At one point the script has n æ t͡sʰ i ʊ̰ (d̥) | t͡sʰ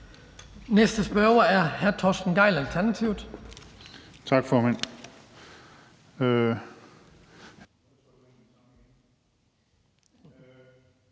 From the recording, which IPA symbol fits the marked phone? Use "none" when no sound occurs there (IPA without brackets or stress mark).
d̥